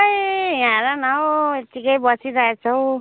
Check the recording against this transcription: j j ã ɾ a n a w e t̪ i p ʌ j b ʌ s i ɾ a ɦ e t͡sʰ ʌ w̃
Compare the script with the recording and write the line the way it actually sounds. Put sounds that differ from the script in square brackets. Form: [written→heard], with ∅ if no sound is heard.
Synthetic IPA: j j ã ɾ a n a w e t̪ i [p→k] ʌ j b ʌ s i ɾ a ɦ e t͡sʰ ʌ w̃